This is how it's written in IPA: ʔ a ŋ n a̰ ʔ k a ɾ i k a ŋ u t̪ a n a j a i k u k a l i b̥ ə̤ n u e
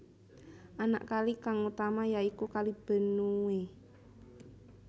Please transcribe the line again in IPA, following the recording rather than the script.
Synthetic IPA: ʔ a n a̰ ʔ k a l i k a ŋ u t̪ a m a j a i k u k a l i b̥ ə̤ n u e